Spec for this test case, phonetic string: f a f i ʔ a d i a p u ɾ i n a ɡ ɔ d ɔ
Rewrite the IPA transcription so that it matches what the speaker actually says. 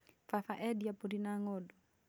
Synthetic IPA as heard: f a f a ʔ ɛ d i a p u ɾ i n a ŋ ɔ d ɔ